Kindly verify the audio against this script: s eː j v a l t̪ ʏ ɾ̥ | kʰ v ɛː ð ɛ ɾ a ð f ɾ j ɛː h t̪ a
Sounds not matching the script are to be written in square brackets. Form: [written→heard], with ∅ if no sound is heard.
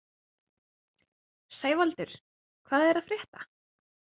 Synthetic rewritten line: s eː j v a l t̪ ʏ ɾ̥ | kʰ v [ɛː→aː] ð ɛ ɾ a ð f ɾ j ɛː h t̪ a